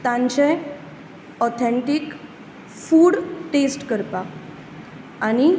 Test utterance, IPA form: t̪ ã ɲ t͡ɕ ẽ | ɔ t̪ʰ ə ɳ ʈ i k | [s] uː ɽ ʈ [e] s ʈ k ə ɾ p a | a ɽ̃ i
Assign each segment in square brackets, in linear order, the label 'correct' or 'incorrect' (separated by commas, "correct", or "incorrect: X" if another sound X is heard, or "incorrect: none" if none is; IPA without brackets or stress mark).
incorrect: f, correct